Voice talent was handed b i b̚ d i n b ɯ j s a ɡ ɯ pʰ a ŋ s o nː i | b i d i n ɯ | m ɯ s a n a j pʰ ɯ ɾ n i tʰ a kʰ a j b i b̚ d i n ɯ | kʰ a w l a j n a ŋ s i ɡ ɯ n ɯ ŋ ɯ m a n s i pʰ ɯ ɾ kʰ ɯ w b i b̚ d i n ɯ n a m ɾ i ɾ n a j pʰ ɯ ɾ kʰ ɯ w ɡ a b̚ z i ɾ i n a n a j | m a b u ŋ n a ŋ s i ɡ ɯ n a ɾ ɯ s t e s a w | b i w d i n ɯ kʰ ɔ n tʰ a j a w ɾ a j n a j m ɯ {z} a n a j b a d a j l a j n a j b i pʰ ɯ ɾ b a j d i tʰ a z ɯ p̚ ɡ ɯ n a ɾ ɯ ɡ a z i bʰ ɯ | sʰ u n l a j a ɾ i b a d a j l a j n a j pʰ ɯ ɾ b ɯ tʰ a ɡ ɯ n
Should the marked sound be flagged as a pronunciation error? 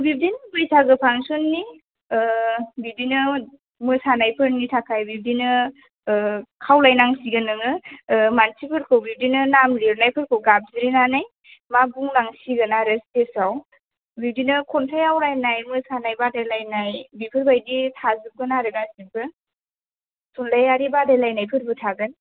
yes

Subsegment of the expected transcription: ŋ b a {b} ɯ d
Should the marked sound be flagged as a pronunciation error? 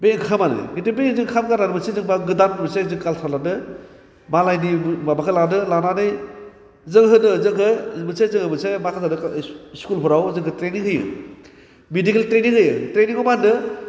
yes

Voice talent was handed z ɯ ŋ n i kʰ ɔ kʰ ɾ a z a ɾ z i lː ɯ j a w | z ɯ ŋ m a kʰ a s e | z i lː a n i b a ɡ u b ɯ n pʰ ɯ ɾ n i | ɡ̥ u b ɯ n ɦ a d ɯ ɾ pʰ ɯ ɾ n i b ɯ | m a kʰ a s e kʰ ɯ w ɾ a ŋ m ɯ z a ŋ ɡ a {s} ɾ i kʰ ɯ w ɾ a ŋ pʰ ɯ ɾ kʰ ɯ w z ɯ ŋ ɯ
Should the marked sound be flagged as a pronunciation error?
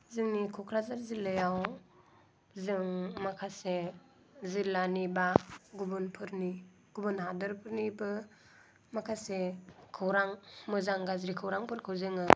yes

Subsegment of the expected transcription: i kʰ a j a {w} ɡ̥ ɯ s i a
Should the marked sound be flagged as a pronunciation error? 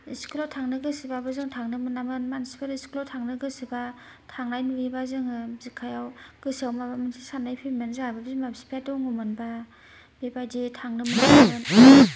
no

